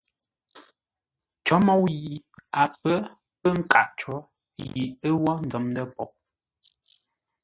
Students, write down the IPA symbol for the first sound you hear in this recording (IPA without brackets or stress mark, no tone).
t͡ʃ